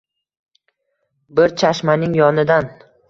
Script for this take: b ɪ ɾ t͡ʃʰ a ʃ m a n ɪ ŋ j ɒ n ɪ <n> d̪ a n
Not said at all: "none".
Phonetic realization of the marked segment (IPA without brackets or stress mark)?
none